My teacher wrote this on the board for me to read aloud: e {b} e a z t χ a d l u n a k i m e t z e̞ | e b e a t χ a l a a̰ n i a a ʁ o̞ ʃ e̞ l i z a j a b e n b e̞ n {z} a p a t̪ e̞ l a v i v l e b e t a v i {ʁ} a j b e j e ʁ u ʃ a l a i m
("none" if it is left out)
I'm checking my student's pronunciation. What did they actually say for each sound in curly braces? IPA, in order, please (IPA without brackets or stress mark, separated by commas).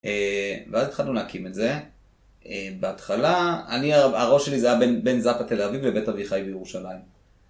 v, z, χ